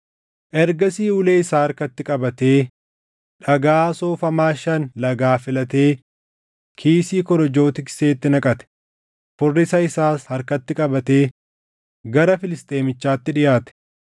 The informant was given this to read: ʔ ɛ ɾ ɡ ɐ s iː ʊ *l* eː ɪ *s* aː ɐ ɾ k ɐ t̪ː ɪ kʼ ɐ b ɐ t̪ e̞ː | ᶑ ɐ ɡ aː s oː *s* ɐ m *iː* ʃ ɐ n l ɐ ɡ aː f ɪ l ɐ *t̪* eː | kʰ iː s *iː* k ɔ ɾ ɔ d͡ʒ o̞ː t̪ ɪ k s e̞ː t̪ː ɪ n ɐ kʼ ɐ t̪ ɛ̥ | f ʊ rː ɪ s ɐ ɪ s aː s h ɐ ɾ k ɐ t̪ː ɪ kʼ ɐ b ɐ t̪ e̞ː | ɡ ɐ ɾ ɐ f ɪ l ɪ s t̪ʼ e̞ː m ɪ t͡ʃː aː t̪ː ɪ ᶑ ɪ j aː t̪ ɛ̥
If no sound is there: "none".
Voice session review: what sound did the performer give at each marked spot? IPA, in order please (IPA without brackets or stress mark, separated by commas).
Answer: l, s, f, aː, t̪, iː